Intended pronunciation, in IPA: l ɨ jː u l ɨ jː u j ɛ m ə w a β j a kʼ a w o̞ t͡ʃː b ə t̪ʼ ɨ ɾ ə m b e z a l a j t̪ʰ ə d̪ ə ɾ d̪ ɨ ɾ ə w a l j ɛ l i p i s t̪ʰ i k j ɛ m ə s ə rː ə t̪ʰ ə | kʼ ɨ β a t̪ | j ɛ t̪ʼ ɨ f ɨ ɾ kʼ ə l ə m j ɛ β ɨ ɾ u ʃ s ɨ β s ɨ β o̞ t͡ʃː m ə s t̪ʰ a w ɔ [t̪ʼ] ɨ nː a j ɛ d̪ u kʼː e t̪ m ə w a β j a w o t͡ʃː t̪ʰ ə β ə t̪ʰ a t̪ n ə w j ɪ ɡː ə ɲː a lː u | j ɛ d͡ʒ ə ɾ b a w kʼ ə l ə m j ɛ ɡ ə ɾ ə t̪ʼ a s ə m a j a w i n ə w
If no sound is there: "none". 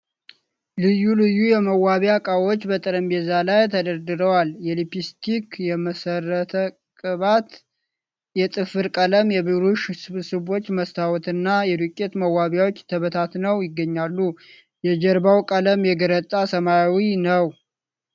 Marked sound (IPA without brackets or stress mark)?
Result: t̪